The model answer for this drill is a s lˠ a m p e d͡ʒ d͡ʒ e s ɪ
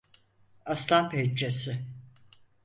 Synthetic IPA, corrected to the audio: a s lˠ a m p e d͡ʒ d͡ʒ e s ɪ